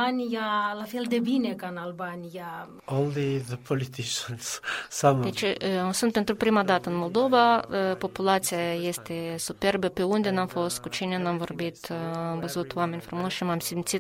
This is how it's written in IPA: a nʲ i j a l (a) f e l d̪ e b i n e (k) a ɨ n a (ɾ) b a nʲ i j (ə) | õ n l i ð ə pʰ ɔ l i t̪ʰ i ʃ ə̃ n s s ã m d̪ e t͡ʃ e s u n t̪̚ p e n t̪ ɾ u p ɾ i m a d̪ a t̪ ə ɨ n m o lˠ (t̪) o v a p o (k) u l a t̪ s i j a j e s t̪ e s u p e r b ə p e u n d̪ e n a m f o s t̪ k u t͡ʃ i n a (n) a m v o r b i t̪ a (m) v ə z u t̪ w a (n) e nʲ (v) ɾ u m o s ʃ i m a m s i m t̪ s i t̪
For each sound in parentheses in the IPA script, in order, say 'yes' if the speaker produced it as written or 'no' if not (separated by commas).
yes, yes, no, no, no, no, yes, yes, no, no